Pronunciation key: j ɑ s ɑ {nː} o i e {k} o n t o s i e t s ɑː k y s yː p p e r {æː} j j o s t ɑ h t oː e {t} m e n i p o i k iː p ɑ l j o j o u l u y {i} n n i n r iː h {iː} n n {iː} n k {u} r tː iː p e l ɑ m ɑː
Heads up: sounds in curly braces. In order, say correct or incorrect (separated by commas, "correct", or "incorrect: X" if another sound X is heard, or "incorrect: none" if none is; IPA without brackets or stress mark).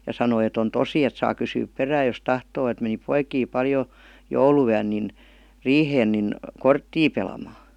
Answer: incorrect: n, incorrect: t, correct, correct, incorrect: æ, incorrect: eː, incorrect: i, incorrect: o